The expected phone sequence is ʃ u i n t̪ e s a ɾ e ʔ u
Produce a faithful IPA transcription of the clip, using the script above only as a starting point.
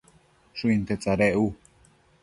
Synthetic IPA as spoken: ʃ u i n t̪ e t͡s a ɾ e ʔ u